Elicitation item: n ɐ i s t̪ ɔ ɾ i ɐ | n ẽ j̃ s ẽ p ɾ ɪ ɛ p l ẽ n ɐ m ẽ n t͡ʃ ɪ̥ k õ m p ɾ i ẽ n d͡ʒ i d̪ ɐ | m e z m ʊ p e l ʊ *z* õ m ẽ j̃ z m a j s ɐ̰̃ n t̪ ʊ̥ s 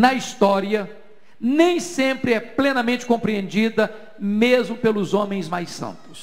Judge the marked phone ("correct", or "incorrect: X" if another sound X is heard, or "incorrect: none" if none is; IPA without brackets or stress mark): correct